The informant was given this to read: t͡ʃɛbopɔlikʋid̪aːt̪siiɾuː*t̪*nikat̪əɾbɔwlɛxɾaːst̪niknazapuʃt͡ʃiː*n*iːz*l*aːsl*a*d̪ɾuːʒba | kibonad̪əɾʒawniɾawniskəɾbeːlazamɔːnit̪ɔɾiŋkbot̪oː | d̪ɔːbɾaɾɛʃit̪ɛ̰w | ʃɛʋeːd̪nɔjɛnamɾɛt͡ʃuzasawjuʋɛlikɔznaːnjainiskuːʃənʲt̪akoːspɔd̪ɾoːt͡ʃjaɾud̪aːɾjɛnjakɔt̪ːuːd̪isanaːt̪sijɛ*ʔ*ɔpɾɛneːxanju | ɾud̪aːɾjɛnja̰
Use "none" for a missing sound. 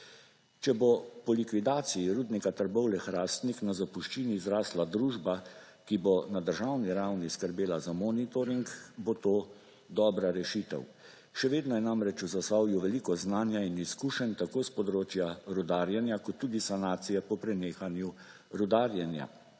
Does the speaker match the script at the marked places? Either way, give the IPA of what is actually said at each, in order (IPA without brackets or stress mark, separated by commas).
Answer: d̪, n, ɾ, a, p